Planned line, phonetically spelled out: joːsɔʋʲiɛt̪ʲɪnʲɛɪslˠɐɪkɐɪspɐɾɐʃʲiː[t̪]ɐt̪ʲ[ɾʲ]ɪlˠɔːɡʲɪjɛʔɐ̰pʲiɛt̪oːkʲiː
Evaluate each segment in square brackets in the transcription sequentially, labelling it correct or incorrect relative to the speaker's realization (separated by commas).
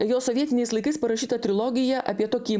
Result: correct, correct